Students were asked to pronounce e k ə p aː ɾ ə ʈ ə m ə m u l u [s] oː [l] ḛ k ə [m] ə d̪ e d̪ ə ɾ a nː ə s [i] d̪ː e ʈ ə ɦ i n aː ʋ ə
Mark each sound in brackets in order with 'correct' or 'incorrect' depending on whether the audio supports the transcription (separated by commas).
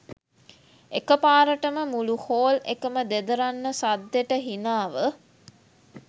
incorrect, correct, correct, incorrect